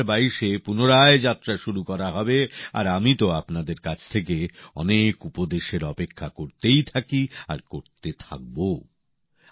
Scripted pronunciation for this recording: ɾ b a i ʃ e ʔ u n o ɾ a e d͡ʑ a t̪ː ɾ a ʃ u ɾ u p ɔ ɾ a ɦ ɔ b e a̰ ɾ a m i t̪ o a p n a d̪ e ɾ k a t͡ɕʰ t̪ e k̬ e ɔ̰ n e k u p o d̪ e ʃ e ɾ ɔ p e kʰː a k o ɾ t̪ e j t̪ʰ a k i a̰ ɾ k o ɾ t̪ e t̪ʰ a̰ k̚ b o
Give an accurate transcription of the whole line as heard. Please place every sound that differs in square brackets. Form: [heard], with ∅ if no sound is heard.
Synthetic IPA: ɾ b a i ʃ e [p] u n o ɾ a e d͡ʑ a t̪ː ɾ a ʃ u ɾ u [k] ɔ ɾ a ɦ ɔ b e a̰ ɾ a m i t̪ o a p n a d̪ e ɾ k a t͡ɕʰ [t̪ʰ] e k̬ e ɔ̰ n e k u p o d̪ e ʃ e ɾ ɔ p e kʰː a k o ɾ t̪ e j t̪ʰ a k i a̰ ɾ k o ɾ t̪ e t̪ʰ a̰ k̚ b o